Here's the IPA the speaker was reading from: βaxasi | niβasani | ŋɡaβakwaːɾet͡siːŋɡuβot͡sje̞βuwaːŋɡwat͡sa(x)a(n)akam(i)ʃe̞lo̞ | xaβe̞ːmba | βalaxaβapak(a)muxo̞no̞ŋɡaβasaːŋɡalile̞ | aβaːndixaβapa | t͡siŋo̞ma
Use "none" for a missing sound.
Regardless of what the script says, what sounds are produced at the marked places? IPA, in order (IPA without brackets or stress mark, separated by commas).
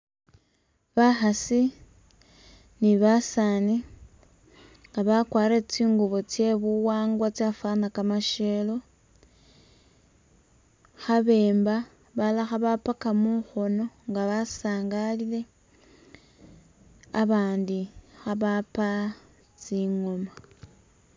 f, n, a, a